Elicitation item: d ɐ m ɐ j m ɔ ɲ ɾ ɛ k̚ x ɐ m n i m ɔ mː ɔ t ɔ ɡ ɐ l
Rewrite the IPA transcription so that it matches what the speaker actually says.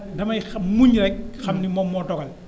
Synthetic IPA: d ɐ m ɐ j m u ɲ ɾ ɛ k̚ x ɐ m n i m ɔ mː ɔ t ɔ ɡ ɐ l